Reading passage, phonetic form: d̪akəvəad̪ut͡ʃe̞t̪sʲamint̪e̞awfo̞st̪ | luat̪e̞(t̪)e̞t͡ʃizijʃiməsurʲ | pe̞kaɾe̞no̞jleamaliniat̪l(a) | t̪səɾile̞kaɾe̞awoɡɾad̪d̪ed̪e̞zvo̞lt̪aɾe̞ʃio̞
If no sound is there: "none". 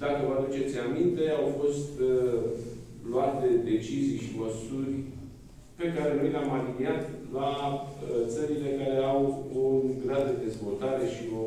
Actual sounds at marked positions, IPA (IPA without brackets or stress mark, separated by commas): d̪, a